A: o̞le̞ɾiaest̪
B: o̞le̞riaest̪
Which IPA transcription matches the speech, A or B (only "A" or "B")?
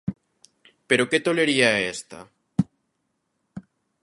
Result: A